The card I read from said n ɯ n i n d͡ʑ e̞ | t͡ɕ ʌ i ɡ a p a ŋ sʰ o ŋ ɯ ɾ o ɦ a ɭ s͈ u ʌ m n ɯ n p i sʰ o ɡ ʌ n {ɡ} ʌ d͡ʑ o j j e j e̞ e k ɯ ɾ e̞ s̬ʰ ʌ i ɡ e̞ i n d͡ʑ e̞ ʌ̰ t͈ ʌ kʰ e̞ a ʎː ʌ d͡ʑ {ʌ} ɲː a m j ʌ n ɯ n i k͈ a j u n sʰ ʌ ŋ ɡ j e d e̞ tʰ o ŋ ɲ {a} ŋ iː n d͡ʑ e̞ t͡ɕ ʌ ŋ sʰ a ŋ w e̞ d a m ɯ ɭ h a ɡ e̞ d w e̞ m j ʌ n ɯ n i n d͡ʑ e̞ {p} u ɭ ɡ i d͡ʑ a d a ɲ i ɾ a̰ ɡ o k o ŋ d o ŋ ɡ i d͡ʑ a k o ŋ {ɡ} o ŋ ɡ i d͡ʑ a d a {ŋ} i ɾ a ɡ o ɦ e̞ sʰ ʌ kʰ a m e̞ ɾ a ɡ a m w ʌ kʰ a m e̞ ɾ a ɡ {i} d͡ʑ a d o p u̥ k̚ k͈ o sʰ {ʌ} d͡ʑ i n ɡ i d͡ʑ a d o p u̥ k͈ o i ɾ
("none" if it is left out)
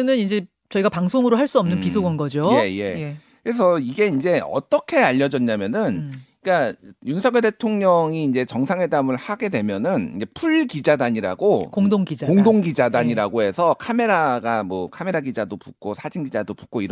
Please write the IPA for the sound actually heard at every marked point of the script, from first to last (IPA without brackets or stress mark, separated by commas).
ɡ, ʌ, ʌ, pʰ, d, ɲ, i, a